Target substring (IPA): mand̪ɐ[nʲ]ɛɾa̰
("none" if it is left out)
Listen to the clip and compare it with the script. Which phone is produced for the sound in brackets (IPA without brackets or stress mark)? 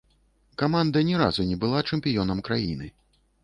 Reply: nʲ